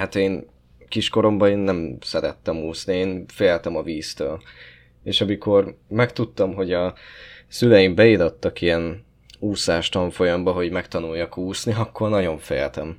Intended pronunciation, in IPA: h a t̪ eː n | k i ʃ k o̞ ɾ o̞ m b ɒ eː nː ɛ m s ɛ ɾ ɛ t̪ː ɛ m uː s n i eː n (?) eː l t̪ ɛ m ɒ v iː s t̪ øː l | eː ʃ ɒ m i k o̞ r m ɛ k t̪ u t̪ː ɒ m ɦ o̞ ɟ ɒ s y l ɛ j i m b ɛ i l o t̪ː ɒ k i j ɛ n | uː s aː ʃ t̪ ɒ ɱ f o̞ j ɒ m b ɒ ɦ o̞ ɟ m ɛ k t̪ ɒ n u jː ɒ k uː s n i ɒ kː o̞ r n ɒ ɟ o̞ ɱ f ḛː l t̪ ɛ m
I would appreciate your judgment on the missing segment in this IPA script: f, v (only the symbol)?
f